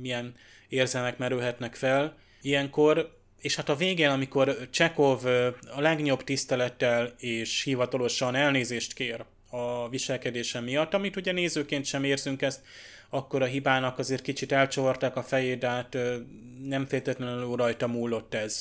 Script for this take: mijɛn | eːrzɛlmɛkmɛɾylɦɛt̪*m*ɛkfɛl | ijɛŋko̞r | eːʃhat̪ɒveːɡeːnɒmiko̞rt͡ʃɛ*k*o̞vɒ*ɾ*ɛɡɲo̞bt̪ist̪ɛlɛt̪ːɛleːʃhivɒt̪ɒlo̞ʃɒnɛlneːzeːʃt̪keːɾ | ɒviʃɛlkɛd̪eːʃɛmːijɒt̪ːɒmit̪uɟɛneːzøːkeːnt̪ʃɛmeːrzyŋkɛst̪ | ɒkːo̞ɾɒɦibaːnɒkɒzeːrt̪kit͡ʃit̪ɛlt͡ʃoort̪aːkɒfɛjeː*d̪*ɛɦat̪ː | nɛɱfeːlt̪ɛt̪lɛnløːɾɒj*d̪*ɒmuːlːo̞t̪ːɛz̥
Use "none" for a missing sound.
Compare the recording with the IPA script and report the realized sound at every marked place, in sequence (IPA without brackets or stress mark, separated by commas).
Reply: n, k, l, d̪, t̪